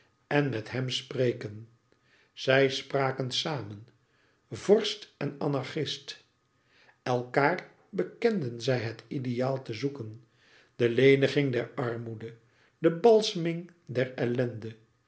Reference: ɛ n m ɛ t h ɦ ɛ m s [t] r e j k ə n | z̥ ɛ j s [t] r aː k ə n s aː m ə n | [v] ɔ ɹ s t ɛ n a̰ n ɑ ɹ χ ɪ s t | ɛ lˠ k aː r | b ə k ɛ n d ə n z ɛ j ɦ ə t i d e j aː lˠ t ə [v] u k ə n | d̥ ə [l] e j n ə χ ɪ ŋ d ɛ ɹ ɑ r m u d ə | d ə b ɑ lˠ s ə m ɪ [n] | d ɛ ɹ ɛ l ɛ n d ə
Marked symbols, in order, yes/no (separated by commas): no, no, yes, no, yes, no